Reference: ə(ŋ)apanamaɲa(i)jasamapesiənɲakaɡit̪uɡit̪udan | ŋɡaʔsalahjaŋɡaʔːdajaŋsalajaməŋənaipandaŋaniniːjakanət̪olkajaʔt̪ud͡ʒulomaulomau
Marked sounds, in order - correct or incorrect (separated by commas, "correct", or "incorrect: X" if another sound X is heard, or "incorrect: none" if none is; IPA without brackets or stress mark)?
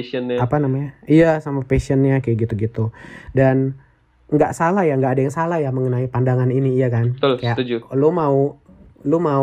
incorrect: n, correct